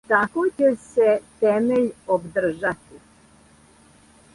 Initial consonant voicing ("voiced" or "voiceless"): voiceless